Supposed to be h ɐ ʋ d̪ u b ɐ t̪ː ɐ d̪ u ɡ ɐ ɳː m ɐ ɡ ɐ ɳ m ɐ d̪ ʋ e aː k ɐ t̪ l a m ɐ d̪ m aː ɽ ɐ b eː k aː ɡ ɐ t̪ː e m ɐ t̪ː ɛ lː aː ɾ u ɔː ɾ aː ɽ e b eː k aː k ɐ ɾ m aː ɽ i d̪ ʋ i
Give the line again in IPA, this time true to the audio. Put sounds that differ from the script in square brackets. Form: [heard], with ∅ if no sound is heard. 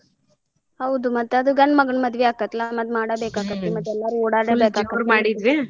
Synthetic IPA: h ɐ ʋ d̪ u [m] ɐ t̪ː ɐ d̪ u ɡ ɐ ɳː m ɐ ɡ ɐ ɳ m ɐ d̪ ʋ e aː k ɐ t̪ l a m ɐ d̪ m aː ɽ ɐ b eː k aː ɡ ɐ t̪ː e m ɐ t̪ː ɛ lː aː ɾ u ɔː [ɽ] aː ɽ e b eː k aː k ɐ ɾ m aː ɽ i d̪ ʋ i

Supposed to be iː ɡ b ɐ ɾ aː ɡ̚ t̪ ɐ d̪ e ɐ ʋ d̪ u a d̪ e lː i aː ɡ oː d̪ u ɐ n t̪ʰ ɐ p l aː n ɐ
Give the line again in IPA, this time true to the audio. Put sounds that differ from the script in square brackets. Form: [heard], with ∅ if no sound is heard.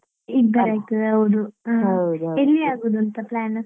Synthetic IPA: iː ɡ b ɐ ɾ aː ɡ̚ t̪ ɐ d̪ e ɐ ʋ d̪ u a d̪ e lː i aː ɡ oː d̪ u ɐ n [t̪] ɐ p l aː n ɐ

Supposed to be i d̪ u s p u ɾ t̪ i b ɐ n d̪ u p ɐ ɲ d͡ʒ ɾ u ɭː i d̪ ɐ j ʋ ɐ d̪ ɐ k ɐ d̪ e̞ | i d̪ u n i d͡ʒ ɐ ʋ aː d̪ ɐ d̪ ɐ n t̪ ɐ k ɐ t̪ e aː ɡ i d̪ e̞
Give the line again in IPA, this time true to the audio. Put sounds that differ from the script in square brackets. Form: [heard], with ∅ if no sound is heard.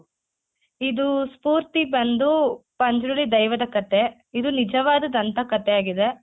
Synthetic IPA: i d̪ u s p [uː] ɾ t̪ i b ɐ n d̪ u p ɐ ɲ d͡ʒ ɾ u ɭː i d̪ ɐ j ʋ ɐ d̪ ɐ k ɐ [t̪] e̞ | i d̪ u n i d͡ʒ ɐ ʋ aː d̪ ɐ d̪ ɐ n t̪ ɐ k ɐ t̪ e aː ɡ i d̪ e̞

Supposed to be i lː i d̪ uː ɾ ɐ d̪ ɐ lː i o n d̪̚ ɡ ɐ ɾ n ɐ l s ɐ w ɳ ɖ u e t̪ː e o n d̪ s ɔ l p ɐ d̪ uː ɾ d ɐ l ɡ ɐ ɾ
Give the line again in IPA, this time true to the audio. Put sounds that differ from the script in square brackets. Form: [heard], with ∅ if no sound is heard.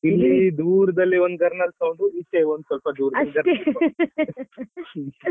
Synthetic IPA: i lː i d̪ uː ɾ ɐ d̪ ɐ lː i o n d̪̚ ɡ ɐ ɾ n ɐ l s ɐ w ɳ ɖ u [i] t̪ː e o n d̪ s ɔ l p ɐ d̪ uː ɾ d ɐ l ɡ ɐ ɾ

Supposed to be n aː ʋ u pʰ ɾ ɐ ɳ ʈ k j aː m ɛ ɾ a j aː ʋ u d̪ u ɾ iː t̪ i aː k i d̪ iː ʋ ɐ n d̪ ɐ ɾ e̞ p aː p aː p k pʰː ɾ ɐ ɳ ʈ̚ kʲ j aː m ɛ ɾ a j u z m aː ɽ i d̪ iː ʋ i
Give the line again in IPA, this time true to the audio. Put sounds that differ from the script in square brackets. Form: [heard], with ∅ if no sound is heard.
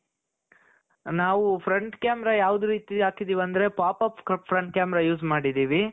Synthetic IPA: n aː ʋ u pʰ ɾ ɐ ɳ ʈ k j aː m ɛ ɾ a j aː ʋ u d̪ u ɾ iː t̪ i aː k i d̪ iː ʋ ɐ n d̪ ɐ ɾ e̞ p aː p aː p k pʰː ɾ ɐ ɳ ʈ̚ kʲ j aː m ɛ ɾ a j [uː] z m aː ɽ i d̪ iː ʋ i

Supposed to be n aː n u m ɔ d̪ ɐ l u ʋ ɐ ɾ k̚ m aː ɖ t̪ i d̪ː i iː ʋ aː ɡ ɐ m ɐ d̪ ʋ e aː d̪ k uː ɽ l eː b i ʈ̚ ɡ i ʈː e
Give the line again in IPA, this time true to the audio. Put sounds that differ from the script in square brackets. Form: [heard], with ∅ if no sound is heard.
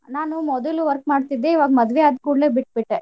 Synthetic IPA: n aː n u m ɔ d̪ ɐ l u ʋ ɐ ɾ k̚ m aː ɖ t̪ i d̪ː [e] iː ʋ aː ɡ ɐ m ɐ d̪ ʋ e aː d̪ k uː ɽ l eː b i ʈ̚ [b] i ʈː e

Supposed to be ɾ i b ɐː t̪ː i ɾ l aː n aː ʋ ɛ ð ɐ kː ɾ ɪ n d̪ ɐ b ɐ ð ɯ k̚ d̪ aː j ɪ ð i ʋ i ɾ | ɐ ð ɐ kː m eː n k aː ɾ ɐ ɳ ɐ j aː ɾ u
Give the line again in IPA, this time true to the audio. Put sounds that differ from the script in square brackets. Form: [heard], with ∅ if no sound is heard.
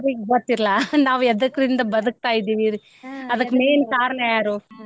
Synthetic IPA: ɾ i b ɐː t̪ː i ɾ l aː n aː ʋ ɛ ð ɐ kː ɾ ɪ n d̪ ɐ b ɐ ð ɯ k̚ [t̪] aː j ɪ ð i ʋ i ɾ | ɐ ð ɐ kː m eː n k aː ɾ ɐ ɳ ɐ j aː ɾ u

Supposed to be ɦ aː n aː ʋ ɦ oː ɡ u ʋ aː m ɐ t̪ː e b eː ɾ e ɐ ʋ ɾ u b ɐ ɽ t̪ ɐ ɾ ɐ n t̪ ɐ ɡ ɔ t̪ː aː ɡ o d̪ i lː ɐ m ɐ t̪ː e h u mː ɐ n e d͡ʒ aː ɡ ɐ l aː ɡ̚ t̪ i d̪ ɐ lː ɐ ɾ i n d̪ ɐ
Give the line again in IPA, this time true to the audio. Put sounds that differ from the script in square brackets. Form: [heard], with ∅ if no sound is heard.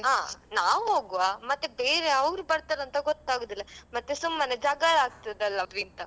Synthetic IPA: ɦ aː n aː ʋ ɦ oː ɡ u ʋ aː m ɐ t̪ː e b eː ɾ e ɐ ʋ ɾ u b ɐ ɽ t̪ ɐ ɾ ɐ n t̪ ɐ ɡ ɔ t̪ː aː ɡ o d̪ i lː ɐ m ɐ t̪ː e [s] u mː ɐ n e d͡ʒ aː ɡ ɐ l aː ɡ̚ t̪ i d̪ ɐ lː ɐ ɾ i n [t̪] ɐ

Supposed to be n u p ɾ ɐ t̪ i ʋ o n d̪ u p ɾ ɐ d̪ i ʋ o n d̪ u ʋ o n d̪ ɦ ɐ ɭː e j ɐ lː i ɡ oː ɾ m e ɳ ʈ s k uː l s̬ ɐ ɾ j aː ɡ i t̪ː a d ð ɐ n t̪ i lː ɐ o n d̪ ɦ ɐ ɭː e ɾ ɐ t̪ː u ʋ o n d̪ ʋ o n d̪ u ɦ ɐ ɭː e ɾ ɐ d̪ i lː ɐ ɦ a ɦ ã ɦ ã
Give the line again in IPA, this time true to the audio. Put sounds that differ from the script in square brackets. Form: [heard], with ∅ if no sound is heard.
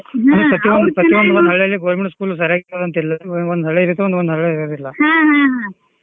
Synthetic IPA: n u p ɾ ɐ t̪ i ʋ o n d̪ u p ɾ ɐ [t̪] i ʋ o n d̪ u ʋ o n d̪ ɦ ɐ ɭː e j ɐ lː i ɡ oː ɾ m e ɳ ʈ s k uː l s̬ ɐ ɾ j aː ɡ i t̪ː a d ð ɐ n t̪ i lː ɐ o n d̪ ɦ ɐ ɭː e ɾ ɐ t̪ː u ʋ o n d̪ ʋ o n d̪ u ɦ ɐ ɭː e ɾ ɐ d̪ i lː ɐ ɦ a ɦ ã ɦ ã

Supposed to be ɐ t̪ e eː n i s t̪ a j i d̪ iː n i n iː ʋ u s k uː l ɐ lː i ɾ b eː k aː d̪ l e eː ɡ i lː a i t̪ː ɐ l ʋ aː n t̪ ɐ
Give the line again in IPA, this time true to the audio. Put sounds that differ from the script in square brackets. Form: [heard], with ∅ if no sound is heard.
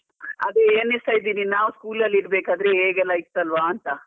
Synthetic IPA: ɐ [d̪] e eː n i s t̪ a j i d̪ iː n i n [aː] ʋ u s k uː l ɐ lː i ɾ b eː k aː d̪ [ɾ] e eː ɡ [ɛ] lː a i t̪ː ɐ l ʋ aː n t̪ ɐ

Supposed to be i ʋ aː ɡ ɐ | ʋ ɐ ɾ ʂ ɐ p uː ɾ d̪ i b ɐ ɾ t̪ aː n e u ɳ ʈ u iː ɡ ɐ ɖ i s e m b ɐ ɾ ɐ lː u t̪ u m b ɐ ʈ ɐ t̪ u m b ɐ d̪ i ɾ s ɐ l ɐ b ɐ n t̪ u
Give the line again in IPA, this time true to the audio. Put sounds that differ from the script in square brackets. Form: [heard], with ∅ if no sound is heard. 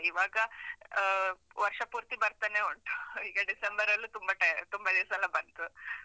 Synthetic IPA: i ʋ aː ɡ ɐ | ʋ ɐ ɾ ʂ ɐ p uː ɾ [t̪] i b ɐ ɾ t̪ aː n e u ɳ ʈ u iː ɡ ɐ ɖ i s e m b ɐ ɾ ɐ lː u t̪ u m b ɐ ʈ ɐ t̪ u m b ɐ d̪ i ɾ s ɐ l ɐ b ɐ n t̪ u

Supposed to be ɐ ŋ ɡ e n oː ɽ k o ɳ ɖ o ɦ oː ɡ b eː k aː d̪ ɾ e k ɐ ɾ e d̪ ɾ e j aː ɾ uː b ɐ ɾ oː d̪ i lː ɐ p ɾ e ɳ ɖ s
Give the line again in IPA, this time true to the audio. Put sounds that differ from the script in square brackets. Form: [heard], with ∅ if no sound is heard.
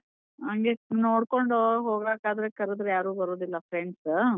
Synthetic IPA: ɐ ŋ ɡ e n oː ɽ k o ɳ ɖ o ɦ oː ɡ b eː k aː d̪ ɾ e k ɐ ɾ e d̪ ɾ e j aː ɾ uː b ɐ ɾ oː d̪ i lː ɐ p ɾ e ɳ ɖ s

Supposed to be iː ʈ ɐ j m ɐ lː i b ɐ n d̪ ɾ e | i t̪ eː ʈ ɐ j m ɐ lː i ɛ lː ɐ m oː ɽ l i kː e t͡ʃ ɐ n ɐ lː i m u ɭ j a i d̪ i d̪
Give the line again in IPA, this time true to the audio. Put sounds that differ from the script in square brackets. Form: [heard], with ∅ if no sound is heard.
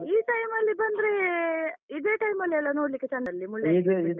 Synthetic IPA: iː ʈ ɐ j m ɐ lː i b ɐ n d̪ ɾ e | i [d̪] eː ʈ ɐ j m ɐ lː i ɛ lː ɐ [n] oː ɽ l i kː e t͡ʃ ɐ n ɐ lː i m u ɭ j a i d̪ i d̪

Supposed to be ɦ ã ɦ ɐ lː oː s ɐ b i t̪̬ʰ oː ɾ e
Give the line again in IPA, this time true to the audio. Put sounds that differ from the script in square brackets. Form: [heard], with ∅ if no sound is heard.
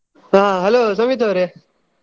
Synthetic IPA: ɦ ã ɦ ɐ [l] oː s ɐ [m] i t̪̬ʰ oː ɾ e

